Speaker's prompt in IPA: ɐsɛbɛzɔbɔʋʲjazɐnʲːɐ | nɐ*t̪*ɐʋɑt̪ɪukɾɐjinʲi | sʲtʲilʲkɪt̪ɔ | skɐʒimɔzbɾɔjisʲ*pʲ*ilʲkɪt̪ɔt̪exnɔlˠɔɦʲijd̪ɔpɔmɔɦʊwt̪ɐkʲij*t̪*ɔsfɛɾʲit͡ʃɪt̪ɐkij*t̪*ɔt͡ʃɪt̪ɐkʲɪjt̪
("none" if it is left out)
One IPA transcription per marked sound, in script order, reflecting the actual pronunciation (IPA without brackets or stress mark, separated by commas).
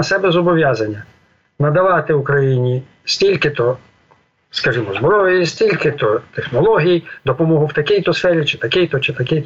d̪, tʲ, t̪, t̪